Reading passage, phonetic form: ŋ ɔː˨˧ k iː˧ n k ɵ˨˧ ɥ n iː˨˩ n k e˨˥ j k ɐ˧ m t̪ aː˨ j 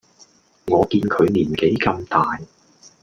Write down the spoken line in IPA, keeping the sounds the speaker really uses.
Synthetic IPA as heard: ŋ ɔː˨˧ k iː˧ n kʰ ɵ˨˧ ɥ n iː˨˩ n k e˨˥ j k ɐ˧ m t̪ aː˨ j